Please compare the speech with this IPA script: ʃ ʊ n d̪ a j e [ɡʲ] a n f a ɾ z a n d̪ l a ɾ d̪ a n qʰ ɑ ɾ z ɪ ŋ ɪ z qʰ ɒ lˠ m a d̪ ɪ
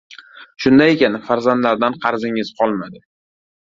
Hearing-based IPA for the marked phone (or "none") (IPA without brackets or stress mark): kʲ